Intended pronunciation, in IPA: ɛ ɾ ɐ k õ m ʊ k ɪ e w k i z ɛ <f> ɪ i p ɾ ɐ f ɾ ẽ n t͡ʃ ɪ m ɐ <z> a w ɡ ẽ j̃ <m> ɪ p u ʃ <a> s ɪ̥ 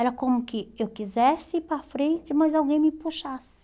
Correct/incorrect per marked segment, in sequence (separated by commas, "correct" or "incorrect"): incorrect, correct, correct, correct